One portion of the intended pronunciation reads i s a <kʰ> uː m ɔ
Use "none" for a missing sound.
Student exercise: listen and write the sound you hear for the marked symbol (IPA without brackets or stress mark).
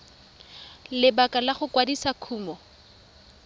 kʰ